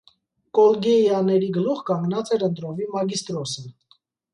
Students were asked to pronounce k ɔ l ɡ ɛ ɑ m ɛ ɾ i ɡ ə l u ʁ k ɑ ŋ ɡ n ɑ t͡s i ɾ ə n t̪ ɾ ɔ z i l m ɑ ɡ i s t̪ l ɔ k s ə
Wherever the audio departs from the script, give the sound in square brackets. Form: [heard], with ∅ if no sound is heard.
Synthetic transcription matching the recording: k ɔ l ɡ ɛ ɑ [n] ɛ ɾ i ɡ ə l u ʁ k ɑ ŋ ɡ n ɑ t͡s [ɛ] ɾ ə n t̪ ɾ ɔ [v] i [∅] m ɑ ɡ i s t̪ [ɾ] ɔ [∅] s ə